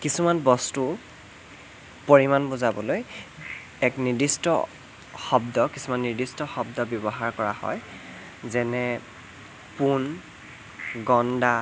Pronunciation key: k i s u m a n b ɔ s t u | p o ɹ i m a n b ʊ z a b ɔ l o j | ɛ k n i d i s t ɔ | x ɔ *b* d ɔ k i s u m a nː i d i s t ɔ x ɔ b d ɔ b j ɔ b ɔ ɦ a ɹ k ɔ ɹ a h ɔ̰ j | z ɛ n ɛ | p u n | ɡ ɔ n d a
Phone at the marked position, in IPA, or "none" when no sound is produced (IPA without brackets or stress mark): b